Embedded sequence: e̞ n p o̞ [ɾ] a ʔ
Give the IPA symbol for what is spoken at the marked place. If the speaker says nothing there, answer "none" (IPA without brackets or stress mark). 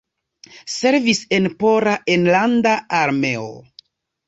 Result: ɾ